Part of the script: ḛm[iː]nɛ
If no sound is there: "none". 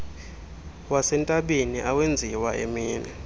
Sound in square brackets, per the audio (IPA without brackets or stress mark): iː